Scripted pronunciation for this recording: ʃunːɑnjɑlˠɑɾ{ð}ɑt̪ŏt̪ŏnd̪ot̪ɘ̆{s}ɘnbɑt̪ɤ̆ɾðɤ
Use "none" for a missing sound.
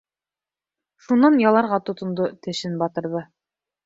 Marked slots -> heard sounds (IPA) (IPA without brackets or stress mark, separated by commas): ʁ, ʃ